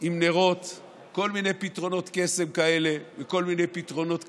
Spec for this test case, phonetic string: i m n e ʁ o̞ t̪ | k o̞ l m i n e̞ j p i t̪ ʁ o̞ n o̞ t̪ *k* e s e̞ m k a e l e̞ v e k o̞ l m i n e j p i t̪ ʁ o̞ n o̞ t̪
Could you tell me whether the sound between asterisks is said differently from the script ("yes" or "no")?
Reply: no